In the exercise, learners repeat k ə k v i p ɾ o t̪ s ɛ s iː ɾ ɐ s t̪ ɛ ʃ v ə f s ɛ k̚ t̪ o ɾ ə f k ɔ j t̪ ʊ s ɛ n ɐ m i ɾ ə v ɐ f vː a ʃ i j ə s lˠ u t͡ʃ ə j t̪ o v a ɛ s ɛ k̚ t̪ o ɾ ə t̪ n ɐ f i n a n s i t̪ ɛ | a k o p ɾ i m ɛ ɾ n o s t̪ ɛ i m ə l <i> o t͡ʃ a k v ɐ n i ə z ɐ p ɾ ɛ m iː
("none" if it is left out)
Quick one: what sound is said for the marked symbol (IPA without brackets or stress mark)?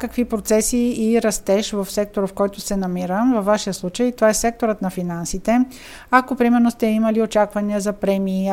i